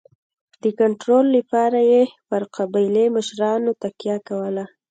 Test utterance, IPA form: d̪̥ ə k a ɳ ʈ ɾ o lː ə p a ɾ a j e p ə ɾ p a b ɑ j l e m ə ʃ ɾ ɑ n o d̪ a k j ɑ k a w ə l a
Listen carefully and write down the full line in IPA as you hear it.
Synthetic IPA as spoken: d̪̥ ə k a ɳ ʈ ɾ o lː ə p ɑ ɾ a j e p ə ɾ q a b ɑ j l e m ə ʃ ɾ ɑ n o t̪ a k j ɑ k a w ə l a